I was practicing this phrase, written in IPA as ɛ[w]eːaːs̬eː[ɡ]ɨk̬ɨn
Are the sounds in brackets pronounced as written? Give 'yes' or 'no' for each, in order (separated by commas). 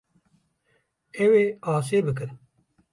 yes, no